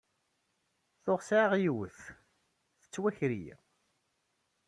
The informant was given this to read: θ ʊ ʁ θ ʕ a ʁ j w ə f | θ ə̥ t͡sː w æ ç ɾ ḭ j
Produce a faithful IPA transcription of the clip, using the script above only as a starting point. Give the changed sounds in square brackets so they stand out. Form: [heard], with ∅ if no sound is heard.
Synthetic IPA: θ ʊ ʁ [s] ʕ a ʁ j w ə [θ] | θ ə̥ t͡sː w æ ç ɾ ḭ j